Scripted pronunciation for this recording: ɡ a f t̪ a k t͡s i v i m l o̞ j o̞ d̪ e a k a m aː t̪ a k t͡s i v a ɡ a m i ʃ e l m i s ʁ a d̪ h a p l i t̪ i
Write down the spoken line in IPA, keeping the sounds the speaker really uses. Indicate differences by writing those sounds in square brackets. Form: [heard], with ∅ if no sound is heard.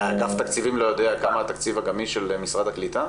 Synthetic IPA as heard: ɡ a f t̪ a k t͡s i v i m l o̞ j o̞ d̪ e a k a m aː t̪ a k t͡s i v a ɡ a m i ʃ e l m i s ʁ a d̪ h a [k] l i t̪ [a]